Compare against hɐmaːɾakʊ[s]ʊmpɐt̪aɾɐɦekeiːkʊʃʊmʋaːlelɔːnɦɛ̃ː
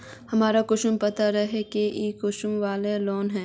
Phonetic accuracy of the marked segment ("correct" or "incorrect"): incorrect